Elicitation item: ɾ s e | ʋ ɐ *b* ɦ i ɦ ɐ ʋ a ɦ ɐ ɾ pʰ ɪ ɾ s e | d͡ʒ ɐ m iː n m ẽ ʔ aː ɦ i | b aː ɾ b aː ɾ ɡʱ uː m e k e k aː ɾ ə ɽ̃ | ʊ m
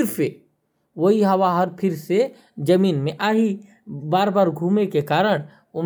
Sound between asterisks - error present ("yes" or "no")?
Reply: yes